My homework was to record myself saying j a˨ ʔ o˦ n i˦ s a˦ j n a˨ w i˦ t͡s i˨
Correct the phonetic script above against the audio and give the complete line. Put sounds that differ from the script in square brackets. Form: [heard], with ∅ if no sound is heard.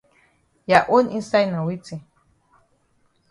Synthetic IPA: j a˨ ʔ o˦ n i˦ s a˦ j n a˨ w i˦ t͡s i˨